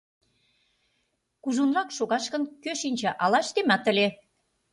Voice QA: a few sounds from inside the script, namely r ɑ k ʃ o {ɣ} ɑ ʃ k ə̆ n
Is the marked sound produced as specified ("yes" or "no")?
yes